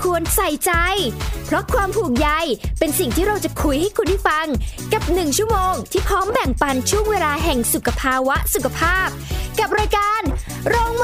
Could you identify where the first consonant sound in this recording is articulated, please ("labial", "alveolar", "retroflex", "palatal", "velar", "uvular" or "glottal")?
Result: velar